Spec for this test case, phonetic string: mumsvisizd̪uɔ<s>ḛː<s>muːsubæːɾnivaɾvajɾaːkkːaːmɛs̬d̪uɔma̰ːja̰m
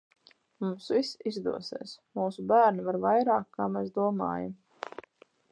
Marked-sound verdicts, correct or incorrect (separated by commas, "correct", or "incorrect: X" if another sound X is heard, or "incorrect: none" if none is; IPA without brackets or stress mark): correct, correct